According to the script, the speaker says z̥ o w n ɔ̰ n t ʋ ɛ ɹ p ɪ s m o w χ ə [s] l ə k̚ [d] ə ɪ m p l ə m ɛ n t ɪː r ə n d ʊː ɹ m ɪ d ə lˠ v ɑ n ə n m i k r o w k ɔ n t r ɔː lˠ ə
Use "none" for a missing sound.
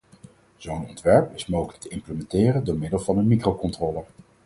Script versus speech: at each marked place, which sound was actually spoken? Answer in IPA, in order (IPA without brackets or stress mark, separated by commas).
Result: none, t